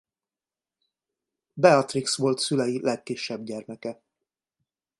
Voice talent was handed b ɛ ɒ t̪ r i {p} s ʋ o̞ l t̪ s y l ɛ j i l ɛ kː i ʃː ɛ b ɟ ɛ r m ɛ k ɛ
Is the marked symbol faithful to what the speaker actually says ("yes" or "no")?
no